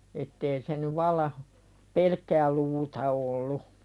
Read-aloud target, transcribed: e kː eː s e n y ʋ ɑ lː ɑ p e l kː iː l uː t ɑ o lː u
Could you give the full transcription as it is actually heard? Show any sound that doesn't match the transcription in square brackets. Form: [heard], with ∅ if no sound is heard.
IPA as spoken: e [tː] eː s e n y ʋ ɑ lː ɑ p e l kː [æː] l uː t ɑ o lː u